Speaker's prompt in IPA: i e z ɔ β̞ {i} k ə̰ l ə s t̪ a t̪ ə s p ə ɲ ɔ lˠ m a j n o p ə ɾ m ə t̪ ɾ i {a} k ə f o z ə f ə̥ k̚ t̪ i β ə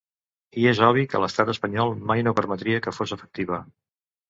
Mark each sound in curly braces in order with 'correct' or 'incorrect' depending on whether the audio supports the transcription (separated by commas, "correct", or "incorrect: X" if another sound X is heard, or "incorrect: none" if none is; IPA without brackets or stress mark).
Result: correct, incorrect: ə